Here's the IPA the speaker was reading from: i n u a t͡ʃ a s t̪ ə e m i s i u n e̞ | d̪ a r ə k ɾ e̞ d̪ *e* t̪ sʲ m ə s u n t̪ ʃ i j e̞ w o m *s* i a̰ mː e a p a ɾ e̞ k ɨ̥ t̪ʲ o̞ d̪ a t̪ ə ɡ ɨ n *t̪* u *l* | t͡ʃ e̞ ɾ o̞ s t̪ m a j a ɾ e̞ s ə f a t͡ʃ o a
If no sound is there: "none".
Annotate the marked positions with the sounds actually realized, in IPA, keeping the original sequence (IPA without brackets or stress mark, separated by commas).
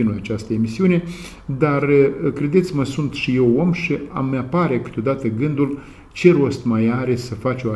e, ʃ, d̪, l